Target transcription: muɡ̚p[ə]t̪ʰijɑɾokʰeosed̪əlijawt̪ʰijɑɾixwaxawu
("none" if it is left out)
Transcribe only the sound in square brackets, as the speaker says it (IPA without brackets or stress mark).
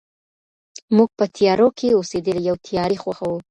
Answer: ə